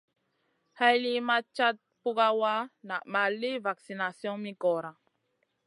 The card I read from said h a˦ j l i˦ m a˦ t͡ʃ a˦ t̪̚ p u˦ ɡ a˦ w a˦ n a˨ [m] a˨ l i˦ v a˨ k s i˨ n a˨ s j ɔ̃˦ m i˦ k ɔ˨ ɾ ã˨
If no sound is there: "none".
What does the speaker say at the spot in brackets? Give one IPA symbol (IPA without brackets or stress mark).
m